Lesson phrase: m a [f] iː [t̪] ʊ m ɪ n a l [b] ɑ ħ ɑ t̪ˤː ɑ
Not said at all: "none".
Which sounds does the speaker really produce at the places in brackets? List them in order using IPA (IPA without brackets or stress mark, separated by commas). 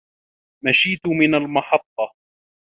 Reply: ʃ, t̪, m